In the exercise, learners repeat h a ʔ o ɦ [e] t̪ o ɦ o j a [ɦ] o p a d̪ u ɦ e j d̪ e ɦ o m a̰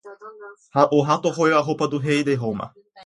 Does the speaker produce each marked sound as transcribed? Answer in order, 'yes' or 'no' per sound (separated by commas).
no, yes